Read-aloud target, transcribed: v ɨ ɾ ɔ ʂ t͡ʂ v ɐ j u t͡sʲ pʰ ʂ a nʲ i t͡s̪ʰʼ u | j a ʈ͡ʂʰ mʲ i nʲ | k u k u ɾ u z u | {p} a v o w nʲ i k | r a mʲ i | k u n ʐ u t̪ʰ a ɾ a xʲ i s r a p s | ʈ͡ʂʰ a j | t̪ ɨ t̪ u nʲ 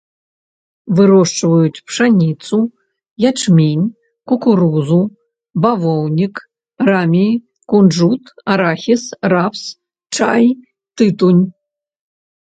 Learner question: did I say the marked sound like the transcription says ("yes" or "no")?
no